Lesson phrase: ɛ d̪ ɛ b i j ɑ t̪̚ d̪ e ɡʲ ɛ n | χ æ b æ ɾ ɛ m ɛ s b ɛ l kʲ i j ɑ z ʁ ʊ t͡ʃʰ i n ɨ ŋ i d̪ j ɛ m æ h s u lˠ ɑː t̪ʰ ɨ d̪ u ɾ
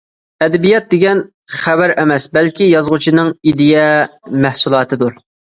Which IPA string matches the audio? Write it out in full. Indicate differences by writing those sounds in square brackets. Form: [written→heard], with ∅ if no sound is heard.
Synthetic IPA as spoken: ɛ d̪ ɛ b i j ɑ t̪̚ d̪ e ɡʲ ɛ n | χ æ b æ ɾ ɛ m ɛ s b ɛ l kʲ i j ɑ z ʁ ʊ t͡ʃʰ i n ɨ ŋ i d̪ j ɛ m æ h s u lˠ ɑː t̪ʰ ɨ d̪ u ɾ